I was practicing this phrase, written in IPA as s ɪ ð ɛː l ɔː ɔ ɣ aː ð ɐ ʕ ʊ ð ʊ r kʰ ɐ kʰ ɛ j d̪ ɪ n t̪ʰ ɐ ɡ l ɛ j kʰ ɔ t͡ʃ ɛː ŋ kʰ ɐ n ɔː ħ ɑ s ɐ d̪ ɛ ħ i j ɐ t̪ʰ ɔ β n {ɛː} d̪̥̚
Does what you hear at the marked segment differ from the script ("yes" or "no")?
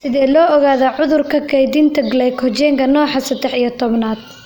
yes